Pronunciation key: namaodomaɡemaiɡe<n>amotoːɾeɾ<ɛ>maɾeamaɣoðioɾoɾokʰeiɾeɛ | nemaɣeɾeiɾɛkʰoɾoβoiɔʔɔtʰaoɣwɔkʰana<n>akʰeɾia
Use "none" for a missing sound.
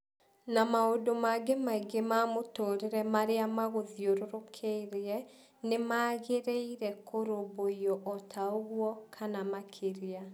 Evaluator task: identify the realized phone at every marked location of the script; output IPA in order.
m, ɛ, m

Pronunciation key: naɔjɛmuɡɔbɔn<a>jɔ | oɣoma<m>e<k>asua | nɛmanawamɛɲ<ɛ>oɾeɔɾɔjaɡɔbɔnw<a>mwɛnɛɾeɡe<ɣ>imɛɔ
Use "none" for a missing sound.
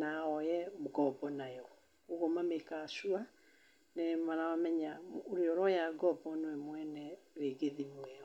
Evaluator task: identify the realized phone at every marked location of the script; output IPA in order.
a, m, k, a, ɛ, ð

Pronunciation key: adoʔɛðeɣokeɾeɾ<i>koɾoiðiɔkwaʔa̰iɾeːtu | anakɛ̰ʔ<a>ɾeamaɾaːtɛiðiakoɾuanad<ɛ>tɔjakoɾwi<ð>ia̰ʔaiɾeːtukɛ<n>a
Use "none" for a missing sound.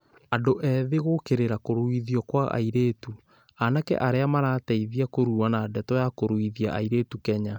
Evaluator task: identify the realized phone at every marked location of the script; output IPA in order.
a, a, ɛ, ð, ɲ

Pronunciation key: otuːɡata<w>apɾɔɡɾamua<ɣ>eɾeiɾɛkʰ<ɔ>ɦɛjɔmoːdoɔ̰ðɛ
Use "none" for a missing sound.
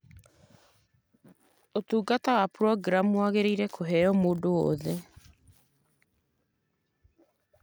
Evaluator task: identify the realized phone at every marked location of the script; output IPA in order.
w, ɣ, o

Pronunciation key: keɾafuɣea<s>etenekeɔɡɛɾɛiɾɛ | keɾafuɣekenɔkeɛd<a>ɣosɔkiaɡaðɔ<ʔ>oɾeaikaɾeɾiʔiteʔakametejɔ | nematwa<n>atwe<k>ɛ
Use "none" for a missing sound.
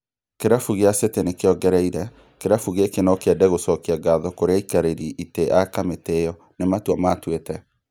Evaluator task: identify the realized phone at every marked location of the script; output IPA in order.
s, ɛ, k, m, t

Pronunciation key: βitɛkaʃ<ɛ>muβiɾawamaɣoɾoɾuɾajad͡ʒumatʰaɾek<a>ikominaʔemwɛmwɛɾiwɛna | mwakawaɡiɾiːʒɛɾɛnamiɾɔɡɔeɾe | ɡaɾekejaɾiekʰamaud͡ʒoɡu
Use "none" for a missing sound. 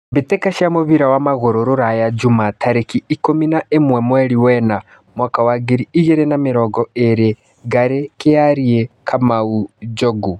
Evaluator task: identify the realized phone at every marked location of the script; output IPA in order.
a, i

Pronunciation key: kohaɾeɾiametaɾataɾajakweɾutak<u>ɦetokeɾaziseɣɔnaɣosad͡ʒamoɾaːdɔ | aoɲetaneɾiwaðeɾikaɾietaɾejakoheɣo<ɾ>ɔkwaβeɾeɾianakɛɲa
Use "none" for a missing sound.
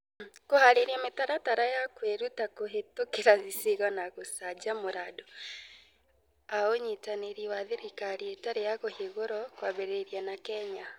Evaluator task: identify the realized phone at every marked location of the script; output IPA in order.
o, ɾ

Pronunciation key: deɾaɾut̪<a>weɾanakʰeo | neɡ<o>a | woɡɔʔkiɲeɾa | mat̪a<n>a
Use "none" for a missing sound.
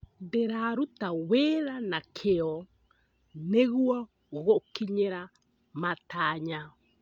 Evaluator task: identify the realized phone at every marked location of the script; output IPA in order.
a, u, ɲ

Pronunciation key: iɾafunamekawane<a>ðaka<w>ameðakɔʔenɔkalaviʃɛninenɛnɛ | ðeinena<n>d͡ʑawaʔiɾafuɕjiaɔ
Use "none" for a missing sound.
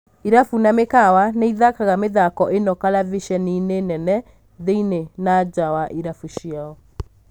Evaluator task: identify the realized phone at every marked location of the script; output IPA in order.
i, ɣ, none

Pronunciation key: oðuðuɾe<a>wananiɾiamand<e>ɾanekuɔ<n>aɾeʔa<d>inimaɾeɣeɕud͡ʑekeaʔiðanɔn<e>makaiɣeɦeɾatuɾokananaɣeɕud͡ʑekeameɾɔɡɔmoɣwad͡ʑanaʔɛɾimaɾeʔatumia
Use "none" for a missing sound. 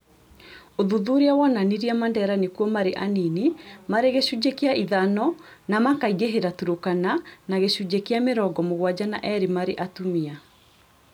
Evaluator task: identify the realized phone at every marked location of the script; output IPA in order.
a, ɛ, m, n, a

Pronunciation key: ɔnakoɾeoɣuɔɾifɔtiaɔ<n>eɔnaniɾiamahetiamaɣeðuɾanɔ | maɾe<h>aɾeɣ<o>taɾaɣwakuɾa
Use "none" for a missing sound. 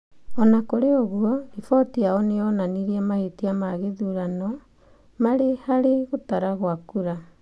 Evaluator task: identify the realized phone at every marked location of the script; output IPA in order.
n, h, o

